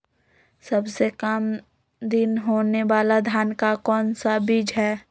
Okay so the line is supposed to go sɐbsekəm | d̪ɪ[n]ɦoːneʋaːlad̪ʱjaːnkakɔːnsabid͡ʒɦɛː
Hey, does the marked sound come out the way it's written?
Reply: yes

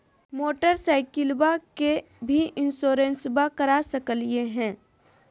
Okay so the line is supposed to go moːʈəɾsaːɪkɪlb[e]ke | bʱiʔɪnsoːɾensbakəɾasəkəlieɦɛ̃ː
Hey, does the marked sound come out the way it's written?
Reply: no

